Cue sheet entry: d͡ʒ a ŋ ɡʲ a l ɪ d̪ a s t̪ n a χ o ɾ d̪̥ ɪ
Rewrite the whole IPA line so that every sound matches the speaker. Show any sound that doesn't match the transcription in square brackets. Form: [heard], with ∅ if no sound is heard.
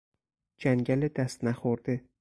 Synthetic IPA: d͡ʒ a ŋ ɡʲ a l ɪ d̪ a s t̪ n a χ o ɾ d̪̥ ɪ